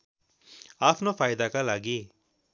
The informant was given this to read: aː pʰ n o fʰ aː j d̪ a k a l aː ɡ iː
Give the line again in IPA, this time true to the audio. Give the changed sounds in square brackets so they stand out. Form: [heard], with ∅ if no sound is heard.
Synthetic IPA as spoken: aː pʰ n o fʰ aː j d̪ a k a l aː ɡ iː